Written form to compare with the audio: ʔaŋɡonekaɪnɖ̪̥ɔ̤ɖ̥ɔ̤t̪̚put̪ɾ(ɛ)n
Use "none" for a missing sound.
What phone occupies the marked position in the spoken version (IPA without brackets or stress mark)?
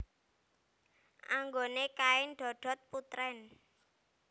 ɛ